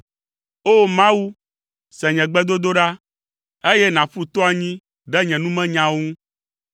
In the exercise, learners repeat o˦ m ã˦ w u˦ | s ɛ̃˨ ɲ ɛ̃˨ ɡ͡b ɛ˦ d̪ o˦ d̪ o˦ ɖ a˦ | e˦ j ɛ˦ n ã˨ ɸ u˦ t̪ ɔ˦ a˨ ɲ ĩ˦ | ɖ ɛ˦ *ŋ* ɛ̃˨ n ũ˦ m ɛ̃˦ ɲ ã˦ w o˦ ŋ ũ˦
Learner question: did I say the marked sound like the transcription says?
no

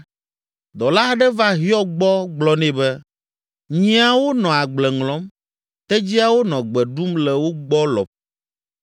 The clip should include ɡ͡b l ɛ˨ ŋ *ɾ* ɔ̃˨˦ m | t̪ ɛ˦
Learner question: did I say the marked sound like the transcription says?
no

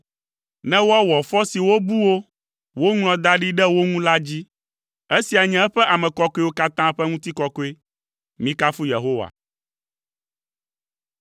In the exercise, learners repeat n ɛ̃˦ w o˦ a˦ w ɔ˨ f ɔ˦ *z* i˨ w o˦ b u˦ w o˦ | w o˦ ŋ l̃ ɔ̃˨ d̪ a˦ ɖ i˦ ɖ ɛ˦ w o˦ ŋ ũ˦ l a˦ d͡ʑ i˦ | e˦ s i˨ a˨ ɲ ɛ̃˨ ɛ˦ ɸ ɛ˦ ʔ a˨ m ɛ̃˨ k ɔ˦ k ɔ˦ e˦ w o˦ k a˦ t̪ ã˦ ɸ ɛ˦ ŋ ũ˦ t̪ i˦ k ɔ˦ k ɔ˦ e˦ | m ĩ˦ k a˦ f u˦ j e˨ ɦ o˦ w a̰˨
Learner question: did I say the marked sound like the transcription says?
no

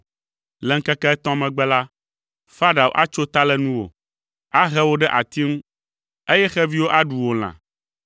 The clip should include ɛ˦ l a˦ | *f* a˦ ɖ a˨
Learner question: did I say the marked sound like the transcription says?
yes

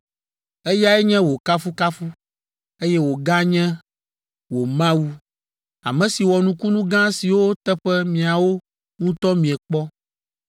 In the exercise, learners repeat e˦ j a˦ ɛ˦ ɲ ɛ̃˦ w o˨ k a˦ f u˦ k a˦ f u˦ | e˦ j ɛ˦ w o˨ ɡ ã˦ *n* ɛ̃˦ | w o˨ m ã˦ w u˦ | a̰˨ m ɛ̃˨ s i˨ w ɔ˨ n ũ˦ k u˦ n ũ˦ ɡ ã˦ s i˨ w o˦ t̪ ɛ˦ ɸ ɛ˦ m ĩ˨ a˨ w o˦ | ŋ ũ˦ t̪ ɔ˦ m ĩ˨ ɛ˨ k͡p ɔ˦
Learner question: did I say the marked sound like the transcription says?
no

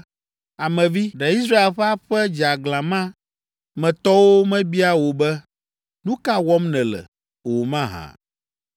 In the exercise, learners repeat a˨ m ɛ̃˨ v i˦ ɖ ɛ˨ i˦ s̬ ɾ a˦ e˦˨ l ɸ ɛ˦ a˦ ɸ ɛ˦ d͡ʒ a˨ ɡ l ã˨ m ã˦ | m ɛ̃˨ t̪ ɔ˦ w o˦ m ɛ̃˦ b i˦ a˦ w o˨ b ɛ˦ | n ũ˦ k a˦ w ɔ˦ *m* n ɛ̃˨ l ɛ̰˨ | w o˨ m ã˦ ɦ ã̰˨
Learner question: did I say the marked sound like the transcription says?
yes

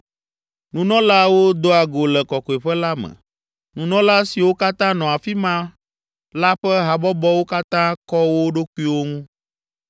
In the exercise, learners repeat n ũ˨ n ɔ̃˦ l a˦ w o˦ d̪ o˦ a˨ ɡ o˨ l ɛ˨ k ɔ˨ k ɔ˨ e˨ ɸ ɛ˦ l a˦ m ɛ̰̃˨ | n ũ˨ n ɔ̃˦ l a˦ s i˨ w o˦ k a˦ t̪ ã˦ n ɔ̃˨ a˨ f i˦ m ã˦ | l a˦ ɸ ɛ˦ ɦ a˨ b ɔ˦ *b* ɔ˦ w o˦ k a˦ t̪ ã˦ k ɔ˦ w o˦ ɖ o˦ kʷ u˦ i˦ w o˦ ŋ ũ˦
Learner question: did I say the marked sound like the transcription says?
yes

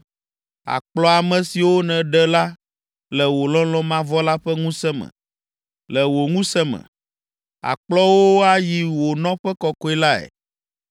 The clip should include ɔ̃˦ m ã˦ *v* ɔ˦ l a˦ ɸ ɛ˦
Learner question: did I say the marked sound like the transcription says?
yes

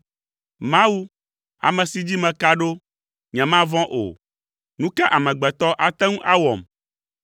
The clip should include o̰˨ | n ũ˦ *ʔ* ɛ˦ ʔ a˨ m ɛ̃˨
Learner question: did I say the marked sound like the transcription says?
no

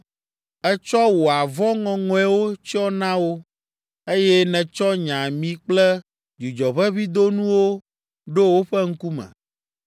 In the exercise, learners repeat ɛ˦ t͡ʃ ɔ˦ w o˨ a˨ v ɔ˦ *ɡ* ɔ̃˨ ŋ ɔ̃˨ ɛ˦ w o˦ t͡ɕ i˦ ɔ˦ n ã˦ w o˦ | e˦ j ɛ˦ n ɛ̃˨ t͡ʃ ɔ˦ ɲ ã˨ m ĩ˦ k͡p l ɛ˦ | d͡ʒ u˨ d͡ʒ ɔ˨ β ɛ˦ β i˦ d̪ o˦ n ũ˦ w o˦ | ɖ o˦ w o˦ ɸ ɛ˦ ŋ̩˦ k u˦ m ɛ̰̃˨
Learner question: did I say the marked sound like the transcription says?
no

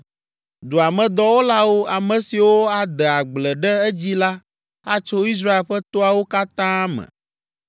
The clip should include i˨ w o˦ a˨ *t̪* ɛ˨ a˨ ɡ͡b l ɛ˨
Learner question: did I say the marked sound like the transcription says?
no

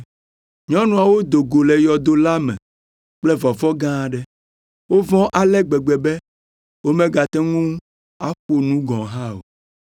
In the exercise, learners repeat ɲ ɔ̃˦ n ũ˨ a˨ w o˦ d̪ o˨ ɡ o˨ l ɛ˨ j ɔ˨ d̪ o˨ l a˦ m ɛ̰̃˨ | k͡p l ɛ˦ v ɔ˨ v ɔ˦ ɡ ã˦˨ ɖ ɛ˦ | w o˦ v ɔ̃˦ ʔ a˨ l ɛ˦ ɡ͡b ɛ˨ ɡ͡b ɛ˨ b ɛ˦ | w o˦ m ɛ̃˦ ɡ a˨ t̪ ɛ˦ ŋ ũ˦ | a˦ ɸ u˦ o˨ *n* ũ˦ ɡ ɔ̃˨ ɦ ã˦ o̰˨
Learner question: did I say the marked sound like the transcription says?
yes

